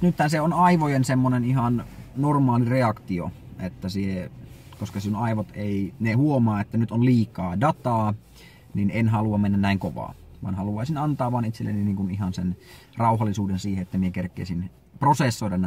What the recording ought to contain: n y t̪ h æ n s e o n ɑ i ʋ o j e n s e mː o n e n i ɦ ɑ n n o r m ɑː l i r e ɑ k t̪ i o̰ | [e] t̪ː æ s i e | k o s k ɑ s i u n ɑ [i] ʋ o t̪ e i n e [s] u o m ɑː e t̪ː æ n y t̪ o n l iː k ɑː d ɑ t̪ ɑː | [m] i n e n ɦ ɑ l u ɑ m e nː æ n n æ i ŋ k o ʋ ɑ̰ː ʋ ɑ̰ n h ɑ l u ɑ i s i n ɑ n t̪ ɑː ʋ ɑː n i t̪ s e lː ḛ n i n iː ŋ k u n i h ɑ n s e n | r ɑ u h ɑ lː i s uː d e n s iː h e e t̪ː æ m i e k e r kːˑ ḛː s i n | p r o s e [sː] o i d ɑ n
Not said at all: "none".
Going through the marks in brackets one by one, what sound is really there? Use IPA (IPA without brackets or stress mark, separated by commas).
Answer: e, i, h, n, sː